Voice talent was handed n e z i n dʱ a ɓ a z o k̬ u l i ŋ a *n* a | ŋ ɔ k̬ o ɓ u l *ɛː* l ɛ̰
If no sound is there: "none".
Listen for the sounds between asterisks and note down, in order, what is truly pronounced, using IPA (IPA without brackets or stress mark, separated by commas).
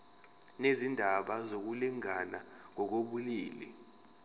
n, iː